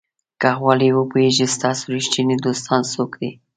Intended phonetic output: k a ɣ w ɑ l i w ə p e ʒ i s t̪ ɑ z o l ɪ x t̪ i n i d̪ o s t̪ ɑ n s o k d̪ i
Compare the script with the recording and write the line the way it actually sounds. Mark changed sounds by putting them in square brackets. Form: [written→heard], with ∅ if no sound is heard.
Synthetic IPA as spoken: k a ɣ w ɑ l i w ə p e ʒ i s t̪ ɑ [z→s] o [l→ɾ] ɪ [x→ʃ] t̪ i n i d̪ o s t̪ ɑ n s o k d̪ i